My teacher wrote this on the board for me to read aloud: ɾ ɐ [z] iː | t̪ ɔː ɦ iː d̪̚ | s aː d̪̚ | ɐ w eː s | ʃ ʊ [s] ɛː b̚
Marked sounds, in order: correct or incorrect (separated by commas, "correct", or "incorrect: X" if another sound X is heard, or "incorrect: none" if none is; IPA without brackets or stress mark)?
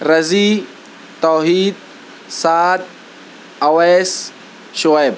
correct, incorrect: none